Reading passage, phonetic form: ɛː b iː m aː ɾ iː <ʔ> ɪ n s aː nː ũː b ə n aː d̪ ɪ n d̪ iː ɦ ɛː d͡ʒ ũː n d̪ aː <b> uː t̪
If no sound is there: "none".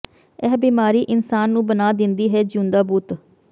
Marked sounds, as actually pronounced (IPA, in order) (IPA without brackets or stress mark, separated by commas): ʔ, b